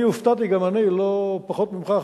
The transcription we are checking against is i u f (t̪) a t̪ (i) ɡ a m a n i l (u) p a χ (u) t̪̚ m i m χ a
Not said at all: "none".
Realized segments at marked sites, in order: t̪, i, o, o

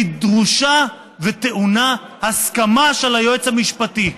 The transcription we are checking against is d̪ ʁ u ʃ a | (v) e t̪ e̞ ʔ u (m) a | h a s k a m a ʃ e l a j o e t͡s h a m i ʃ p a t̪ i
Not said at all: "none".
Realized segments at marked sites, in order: v, n

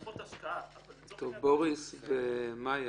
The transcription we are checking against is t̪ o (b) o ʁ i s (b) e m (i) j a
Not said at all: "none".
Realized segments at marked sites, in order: b, v, a

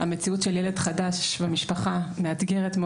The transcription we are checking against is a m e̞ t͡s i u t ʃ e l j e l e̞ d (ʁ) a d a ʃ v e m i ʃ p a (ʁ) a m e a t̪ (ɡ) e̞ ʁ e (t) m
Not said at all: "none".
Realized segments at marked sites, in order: χ, χ, ɡ, t

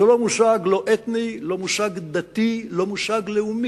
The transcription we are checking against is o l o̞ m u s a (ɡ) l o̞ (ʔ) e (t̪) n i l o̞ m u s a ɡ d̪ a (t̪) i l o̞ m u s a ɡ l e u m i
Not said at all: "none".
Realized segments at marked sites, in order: ɡ, ʔ, t̪, t̪

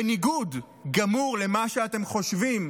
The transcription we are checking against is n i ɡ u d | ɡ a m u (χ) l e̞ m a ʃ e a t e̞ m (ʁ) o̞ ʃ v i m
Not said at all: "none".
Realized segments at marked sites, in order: ʁ, χ

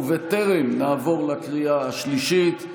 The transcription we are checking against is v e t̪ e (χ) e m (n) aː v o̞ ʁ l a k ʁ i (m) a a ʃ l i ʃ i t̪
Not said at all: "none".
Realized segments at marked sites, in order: ʁ, n, none

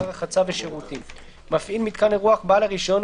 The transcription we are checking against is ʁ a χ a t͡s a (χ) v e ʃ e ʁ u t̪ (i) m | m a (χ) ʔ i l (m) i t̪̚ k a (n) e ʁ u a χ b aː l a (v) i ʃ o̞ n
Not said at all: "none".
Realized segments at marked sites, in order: none, i, f, m, n, ʁ

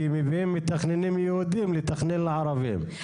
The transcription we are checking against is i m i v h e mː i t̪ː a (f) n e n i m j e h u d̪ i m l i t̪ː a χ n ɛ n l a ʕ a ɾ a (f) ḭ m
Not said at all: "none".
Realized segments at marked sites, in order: χ, v

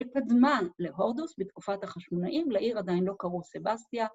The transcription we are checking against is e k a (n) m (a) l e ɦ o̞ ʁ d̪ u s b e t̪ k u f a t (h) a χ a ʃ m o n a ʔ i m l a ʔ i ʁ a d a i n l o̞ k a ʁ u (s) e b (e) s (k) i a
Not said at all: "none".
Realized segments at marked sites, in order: d, a, h, s, a, t

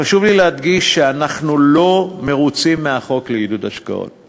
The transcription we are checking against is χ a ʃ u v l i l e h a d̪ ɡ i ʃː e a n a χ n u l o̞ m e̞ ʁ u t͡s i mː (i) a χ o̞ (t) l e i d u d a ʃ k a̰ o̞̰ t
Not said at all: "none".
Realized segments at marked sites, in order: e, k

